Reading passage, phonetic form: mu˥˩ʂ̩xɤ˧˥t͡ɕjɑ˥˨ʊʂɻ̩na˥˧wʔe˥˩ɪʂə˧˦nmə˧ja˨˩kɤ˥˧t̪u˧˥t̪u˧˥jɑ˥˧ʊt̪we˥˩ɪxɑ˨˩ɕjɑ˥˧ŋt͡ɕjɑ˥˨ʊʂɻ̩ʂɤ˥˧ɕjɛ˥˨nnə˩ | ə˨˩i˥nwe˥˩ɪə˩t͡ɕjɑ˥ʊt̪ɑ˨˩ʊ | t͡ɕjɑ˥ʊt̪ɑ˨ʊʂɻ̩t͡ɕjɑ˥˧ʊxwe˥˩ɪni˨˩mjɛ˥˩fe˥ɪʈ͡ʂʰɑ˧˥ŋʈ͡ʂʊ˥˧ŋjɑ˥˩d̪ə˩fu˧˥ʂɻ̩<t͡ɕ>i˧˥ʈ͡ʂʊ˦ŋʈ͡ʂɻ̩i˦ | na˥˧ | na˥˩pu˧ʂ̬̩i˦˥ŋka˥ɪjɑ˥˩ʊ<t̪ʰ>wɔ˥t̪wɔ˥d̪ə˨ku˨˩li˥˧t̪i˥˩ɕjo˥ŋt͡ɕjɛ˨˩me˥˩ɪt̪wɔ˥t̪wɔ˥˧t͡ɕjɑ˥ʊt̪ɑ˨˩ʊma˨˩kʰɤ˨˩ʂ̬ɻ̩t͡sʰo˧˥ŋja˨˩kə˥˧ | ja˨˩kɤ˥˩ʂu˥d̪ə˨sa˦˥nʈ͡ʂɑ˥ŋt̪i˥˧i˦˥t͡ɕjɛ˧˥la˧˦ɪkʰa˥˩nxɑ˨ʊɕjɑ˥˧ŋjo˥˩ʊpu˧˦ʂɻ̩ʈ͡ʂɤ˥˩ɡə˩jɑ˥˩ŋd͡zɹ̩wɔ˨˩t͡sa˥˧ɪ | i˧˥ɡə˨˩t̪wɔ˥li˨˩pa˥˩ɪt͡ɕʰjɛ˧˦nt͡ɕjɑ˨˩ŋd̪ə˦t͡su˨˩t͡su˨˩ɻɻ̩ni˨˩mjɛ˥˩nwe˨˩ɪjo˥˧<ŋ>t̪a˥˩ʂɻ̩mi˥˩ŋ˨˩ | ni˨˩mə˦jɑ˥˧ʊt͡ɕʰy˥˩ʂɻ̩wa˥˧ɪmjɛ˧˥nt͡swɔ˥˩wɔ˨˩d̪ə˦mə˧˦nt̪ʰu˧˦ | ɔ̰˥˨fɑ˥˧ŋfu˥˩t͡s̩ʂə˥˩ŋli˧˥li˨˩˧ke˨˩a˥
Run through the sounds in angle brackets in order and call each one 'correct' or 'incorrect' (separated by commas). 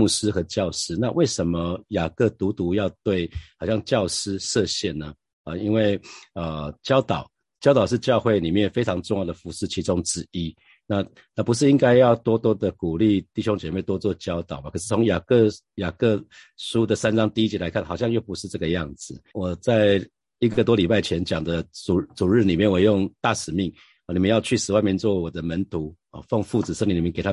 incorrect, incorrect, correct